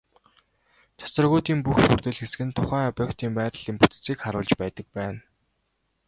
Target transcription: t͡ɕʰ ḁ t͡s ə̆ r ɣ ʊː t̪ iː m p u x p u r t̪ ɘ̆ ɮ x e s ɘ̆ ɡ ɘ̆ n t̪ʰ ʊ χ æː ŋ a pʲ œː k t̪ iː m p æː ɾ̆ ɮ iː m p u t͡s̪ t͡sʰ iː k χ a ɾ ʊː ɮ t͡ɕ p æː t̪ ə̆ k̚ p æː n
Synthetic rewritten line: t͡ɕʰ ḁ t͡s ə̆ r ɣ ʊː t̪ iː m p u x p u r t̪ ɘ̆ ɮ x e s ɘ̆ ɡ ɘ̆ n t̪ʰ ʊ χ æː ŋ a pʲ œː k t̪ iː m p æː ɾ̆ ɮ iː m p u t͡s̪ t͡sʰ iː k χ a ɾ ʊː ɮ t͡ɕ p æː t̪ ə̆ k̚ p æː n

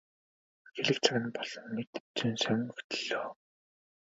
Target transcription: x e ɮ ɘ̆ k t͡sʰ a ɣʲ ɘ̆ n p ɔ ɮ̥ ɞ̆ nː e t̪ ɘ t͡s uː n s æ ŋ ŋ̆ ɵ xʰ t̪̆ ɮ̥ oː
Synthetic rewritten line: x e ɮ ɘ̆ k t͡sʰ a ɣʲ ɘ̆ n p ɔ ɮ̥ ɞ̆ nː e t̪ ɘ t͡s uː n s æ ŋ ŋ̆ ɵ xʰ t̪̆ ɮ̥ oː

